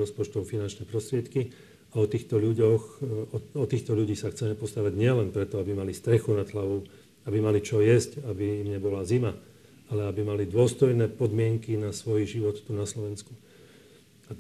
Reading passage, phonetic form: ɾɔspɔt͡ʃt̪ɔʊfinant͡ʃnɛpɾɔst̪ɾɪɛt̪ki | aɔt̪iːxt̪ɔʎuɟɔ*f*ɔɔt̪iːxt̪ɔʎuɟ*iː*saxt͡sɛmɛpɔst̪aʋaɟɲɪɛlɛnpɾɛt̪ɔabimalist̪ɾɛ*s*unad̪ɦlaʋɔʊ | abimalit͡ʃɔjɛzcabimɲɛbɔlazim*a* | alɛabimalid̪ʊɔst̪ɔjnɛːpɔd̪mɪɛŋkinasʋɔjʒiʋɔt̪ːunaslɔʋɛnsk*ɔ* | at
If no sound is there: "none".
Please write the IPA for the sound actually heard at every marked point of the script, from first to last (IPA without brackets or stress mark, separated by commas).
x, iː, x, a, u